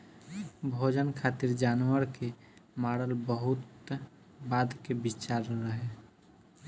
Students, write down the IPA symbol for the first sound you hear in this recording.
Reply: bʱ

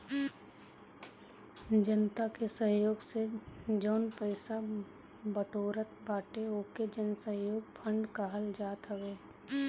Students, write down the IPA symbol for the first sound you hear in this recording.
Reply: d͡ʒ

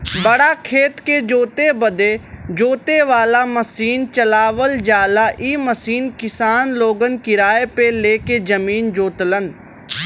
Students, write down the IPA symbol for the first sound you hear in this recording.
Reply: b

